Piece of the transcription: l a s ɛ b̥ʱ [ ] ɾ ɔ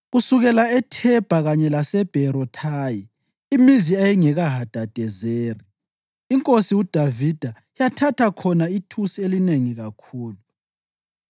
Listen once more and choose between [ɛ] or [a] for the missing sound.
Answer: ɛ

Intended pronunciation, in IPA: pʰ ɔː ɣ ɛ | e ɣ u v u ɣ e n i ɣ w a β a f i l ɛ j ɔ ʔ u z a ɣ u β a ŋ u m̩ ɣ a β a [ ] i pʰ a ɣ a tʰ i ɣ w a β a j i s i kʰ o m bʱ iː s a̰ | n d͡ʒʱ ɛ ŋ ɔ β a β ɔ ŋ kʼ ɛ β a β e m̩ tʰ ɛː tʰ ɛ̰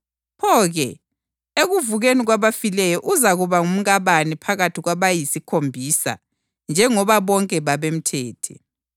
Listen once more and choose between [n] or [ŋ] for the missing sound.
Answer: n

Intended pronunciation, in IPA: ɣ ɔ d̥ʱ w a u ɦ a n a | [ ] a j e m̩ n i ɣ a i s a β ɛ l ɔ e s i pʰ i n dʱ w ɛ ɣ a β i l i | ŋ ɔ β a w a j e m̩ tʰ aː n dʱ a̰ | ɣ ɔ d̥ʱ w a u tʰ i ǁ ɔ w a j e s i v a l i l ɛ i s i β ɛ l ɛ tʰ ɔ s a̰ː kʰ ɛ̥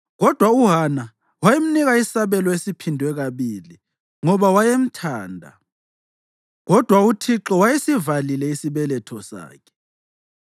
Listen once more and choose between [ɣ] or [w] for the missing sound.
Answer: w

